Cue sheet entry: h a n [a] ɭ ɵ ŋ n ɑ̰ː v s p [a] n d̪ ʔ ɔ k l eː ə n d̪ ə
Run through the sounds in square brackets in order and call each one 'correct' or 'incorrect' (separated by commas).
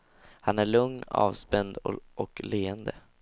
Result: incorrect, incorrect